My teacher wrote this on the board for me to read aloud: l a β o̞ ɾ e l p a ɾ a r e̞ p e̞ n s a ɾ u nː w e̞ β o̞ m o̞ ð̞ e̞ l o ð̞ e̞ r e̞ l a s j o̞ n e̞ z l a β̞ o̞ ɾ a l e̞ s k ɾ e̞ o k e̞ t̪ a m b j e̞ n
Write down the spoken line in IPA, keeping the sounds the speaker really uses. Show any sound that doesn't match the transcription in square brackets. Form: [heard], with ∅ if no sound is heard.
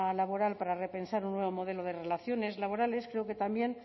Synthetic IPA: l a β o̞ ɾ [a] l p a ɾ a r e̞ p e̞ n s a ɾ u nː w e̞ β o̞ m o̞ ð̞ e̞ l o ð̞ e̞ r e̞ l a [θ] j o̞ n e̞ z l a β̞ o̞ ɾ a l e̞ s k ɾ e̞ o k e̞ t̪ a m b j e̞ n